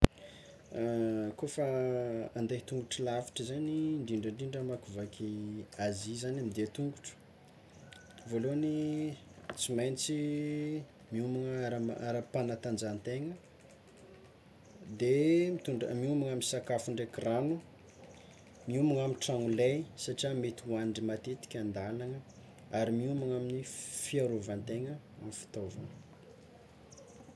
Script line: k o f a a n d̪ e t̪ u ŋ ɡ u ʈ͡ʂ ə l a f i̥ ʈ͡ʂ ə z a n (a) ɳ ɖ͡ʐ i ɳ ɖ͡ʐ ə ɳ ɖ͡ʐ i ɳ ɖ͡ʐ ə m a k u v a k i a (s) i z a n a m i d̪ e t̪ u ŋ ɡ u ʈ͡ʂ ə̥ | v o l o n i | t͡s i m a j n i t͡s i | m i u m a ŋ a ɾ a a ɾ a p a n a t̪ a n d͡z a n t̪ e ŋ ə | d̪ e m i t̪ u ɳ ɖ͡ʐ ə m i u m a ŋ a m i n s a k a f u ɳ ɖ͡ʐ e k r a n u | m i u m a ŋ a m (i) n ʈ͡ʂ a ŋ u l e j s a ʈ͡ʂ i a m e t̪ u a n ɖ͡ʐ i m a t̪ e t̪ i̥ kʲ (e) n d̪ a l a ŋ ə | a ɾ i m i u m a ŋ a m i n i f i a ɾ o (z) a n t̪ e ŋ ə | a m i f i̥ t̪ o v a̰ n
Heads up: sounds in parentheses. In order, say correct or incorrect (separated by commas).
incorrect, incorrect, correct, incorrect, incorrect